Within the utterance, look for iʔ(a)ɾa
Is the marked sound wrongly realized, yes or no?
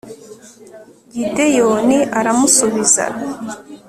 no